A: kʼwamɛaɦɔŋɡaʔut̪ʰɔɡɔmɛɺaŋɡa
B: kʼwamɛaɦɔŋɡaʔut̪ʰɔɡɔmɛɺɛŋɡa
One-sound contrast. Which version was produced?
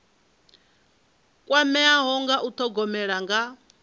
A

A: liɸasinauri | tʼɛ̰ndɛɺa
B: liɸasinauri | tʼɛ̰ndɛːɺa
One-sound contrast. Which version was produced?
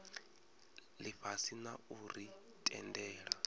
B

